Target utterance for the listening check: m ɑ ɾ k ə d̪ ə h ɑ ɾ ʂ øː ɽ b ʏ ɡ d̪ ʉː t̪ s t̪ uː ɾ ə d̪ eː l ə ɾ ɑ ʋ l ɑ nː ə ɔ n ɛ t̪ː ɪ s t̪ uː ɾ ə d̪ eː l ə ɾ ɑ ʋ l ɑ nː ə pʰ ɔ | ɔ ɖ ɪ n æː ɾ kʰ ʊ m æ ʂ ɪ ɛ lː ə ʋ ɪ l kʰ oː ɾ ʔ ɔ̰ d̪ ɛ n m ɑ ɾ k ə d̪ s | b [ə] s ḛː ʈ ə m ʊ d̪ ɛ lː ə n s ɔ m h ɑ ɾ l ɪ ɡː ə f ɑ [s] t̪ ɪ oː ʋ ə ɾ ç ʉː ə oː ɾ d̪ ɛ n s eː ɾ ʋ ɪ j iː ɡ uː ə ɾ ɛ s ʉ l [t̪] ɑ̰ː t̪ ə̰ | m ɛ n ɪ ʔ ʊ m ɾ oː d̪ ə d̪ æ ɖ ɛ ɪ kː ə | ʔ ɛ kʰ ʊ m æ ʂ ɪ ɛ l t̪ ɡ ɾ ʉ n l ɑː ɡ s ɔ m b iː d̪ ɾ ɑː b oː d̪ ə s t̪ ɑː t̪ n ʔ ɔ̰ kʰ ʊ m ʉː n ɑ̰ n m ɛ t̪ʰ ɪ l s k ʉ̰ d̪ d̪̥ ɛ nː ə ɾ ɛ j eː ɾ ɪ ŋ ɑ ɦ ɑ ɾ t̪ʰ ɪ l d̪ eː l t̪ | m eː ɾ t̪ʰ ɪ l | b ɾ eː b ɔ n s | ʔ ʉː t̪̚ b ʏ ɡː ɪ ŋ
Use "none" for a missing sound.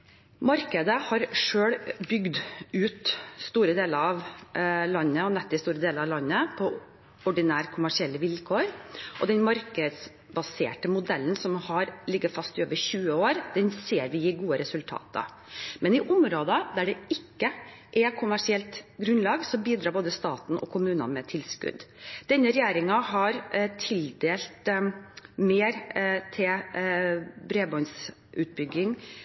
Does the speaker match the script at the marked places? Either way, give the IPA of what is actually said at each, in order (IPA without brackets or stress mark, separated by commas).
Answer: ɑ, s, t̪ʰ